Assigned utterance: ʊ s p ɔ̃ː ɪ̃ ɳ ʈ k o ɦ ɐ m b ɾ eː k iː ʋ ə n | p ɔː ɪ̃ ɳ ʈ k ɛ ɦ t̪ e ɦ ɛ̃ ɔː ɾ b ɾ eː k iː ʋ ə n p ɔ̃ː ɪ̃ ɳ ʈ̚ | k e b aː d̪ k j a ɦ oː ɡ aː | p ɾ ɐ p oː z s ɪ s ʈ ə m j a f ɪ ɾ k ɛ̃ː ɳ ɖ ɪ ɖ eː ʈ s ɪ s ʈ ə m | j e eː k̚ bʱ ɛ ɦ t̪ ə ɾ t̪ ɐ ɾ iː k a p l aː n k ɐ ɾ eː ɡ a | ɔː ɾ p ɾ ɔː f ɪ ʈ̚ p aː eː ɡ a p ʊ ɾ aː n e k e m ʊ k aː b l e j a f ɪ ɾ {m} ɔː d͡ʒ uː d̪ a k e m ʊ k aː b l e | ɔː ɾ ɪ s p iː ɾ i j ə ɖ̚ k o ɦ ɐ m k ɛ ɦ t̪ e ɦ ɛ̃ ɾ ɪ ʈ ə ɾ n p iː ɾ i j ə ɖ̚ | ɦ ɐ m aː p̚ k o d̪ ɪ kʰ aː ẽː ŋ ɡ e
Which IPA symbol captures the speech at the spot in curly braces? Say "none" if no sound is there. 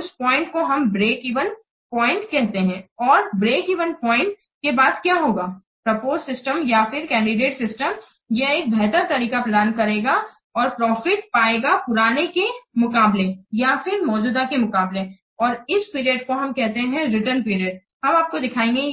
m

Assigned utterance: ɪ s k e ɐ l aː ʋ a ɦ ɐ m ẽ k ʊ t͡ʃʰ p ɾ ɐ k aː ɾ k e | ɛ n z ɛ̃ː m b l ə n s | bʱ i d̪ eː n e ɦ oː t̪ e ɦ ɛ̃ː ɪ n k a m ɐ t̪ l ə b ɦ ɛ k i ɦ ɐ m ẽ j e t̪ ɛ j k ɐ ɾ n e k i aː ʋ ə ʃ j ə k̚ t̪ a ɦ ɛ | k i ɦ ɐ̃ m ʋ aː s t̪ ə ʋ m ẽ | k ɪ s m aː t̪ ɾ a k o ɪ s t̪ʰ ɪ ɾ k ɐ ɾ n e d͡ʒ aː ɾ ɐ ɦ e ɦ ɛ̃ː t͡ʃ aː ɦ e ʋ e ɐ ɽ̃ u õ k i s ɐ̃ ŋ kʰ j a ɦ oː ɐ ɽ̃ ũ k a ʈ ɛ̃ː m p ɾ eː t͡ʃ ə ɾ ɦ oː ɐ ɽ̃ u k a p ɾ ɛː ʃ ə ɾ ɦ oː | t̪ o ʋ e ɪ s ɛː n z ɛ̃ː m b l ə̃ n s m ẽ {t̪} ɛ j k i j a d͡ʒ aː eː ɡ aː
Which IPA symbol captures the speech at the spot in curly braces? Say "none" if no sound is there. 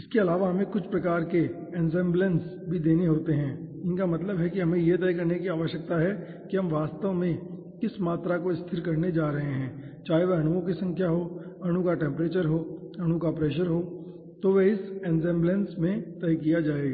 t̪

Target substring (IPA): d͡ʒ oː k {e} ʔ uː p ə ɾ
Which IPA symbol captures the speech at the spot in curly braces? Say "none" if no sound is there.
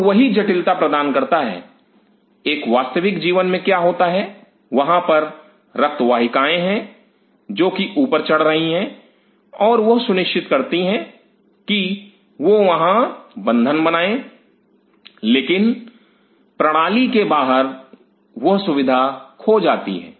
i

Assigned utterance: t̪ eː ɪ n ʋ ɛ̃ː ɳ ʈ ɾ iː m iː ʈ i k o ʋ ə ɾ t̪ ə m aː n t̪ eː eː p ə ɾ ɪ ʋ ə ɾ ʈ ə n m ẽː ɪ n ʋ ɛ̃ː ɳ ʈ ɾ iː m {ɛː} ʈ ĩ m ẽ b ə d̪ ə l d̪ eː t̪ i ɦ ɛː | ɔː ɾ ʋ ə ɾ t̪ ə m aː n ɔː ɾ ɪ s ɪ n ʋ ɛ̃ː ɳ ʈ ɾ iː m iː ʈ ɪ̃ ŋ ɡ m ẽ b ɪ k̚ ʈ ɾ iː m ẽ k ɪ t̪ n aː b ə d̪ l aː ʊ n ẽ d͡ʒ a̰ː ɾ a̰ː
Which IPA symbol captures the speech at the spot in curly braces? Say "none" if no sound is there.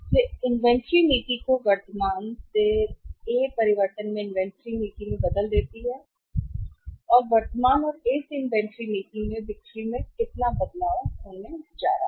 iː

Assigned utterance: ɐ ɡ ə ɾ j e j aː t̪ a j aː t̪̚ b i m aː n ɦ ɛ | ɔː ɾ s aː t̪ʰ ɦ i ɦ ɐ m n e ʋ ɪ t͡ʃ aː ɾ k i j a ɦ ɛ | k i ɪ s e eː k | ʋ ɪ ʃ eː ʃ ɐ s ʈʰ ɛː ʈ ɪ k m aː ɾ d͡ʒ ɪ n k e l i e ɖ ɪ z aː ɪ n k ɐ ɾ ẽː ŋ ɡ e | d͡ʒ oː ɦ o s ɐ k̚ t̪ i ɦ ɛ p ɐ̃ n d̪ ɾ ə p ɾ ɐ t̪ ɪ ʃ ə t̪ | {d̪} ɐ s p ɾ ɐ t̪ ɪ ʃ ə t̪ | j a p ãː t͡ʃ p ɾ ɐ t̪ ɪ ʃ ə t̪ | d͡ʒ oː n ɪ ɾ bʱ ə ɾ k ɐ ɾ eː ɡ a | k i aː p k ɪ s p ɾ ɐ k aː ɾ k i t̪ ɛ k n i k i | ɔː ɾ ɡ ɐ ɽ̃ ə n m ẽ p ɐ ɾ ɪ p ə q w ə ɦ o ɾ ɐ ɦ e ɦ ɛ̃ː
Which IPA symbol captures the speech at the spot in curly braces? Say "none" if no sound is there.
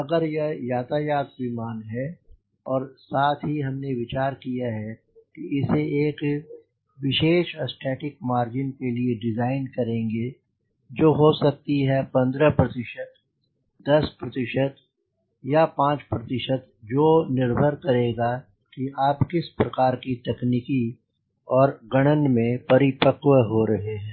d̪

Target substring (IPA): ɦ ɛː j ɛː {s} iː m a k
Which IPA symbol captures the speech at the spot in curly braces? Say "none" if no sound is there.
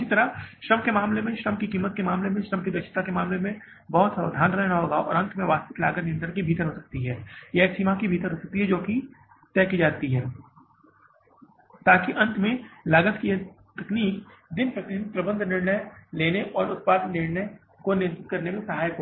s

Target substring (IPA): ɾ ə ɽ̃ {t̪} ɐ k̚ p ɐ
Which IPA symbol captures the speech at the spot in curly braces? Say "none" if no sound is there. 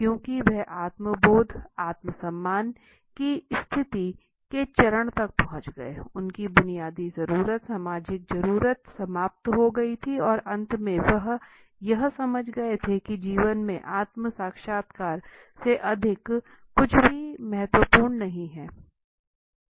t̪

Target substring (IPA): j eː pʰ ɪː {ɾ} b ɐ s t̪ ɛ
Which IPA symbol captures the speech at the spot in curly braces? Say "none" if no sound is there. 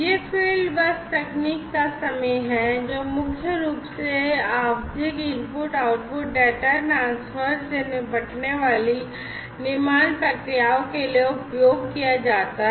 l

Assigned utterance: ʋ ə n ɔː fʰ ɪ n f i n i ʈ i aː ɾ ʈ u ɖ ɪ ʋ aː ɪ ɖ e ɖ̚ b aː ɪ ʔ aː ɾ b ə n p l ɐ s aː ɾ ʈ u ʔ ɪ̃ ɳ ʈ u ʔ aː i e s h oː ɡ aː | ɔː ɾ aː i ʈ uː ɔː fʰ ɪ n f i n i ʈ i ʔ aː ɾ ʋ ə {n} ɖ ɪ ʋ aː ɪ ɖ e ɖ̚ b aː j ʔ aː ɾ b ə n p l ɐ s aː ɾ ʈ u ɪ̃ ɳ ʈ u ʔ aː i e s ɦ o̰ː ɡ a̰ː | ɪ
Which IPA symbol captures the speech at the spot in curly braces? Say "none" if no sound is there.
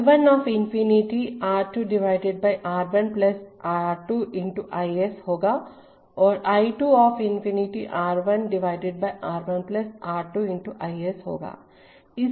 n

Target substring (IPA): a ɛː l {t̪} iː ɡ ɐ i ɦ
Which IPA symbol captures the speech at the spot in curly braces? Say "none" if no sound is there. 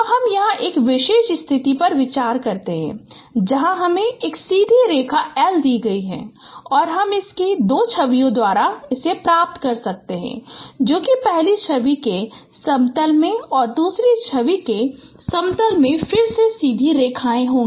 d̪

